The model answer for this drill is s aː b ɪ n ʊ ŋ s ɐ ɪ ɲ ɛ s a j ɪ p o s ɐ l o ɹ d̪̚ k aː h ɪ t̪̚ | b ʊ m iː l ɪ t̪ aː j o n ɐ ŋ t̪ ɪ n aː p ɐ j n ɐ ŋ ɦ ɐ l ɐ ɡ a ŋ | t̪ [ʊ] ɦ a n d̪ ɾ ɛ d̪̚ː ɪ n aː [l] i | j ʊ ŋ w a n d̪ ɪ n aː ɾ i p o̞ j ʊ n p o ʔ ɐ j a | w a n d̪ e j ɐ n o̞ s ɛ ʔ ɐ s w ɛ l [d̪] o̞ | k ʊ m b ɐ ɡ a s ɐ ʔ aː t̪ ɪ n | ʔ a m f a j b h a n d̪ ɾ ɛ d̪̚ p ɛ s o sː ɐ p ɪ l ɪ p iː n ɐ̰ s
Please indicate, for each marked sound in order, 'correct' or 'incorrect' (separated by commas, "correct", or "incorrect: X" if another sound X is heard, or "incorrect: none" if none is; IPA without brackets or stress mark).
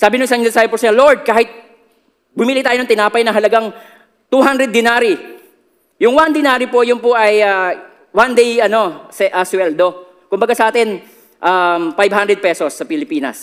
incorrect: u, incorrect: ɾ, correct